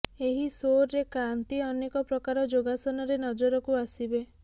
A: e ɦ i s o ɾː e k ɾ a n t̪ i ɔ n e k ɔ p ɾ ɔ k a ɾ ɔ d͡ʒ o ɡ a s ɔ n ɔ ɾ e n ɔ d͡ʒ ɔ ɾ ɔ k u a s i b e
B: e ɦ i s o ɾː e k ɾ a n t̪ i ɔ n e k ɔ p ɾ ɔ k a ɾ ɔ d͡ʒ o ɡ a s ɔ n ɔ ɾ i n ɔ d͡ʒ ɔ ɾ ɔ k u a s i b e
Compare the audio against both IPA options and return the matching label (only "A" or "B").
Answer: A